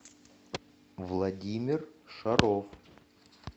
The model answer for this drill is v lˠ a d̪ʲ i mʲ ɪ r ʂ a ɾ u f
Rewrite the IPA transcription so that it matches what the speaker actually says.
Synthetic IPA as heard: v lˠ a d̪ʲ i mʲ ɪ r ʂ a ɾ o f